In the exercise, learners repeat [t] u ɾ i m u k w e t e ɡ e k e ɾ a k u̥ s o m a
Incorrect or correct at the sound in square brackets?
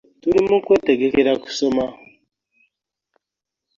correct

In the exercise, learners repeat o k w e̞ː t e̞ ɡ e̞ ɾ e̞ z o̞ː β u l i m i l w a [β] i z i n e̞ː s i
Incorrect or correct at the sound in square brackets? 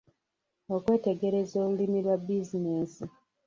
incorrect: b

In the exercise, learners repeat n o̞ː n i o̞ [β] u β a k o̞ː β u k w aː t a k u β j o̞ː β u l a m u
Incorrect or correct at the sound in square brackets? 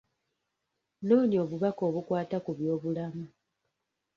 correct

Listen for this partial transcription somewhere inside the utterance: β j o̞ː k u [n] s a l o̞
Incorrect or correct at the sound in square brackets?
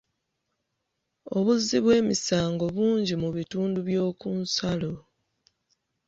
correct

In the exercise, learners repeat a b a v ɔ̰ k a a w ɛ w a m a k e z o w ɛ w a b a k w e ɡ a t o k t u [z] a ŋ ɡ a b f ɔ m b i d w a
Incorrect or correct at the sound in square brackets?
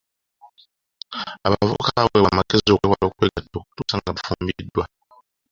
incorrect: s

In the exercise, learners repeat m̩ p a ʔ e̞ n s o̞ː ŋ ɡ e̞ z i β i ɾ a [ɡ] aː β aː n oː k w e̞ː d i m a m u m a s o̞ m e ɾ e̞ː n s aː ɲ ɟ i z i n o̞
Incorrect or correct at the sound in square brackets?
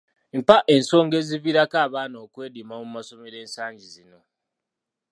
incorrect: k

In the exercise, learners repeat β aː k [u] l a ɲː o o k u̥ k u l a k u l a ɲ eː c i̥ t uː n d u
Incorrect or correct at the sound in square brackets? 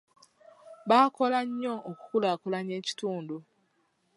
incorrect: o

